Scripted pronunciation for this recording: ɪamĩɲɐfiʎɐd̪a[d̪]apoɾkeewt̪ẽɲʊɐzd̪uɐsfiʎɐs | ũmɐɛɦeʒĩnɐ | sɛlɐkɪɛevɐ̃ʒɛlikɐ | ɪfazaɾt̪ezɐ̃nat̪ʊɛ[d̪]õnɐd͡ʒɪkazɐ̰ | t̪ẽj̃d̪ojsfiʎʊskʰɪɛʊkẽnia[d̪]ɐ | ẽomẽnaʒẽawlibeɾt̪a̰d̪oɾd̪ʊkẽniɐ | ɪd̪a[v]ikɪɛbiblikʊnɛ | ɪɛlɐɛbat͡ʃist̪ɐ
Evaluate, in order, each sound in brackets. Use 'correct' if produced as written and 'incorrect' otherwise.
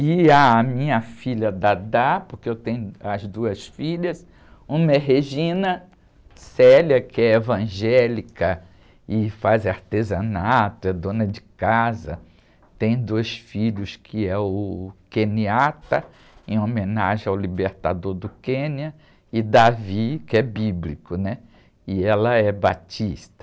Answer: correct, correct, incorrect: t̪, correct

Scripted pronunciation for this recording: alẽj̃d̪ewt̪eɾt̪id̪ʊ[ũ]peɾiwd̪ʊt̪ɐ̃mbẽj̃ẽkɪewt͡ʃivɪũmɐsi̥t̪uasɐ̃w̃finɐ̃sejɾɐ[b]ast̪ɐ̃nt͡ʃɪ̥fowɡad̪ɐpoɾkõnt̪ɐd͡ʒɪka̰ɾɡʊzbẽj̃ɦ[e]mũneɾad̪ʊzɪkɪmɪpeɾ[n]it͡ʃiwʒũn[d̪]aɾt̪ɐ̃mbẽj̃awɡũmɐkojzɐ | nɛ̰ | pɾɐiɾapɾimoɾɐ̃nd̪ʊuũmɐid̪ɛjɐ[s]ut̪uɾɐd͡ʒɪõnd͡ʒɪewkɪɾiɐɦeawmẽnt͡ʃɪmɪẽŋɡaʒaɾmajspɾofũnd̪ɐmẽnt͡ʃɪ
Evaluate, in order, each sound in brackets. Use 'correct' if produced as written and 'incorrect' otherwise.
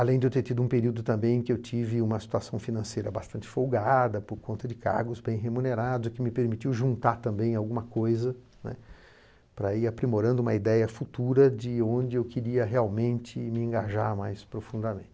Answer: correct, correct, correct, incorrect: m, incorrect: t̪, incorrect: f

